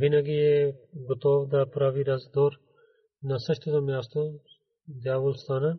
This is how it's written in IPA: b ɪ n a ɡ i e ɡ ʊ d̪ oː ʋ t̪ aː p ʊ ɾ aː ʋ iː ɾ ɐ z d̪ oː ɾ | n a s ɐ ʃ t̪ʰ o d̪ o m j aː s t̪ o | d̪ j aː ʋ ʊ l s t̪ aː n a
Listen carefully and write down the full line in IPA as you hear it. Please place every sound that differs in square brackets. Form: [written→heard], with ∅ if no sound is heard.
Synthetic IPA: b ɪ n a ɡ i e ɡ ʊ [d̪→t̪] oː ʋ [t̪→d̪] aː p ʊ ɾ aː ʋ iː ɾ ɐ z d̪ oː ɾ | n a s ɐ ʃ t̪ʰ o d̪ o m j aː s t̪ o | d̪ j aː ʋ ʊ l s t̪ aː n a